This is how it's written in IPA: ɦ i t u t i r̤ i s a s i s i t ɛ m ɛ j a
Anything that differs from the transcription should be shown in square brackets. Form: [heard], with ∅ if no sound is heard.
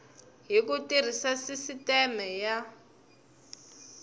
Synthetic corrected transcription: ɦ i [k] u t i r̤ i s a s i s i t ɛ m ɛ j a